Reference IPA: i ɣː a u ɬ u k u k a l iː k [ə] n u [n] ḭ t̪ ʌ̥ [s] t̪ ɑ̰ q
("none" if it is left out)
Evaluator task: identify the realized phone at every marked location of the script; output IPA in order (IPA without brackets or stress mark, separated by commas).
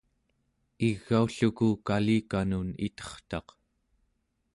a, n, χ